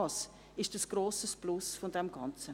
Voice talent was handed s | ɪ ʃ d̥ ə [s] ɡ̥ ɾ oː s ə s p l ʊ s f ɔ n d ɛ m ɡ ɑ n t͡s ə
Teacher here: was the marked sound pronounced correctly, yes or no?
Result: yes